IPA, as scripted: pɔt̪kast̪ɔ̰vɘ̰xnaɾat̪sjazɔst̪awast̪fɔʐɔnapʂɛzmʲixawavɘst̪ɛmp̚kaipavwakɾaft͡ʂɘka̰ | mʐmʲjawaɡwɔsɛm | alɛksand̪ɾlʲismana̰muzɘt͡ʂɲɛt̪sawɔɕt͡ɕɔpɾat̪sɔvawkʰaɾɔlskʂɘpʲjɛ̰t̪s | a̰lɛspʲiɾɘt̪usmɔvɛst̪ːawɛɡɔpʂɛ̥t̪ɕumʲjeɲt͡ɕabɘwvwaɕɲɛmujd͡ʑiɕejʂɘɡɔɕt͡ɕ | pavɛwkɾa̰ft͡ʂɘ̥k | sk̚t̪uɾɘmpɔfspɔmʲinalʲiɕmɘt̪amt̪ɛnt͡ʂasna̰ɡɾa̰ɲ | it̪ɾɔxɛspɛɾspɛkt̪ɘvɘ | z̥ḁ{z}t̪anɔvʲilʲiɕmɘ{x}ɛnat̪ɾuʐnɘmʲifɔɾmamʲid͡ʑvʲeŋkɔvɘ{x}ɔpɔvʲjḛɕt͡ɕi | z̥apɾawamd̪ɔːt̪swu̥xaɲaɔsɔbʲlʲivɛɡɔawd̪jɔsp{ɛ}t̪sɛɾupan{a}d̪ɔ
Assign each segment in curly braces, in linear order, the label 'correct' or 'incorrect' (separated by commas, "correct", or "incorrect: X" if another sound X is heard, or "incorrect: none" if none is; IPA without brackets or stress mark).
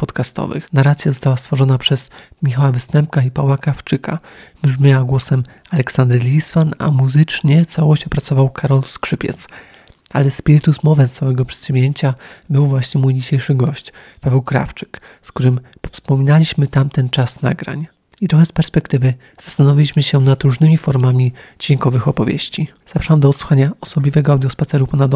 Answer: incorrect: s, incorrect: ɕ, correct, incorrect: a, correct